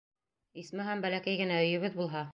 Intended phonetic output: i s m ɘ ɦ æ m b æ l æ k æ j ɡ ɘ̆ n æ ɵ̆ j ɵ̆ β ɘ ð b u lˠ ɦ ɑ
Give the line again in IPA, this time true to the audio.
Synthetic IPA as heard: i s m ɘ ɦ æ m b æ l æ k æ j ɡ ɘ̆ n æ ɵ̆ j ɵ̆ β ɘ ð b u lˠ ɦ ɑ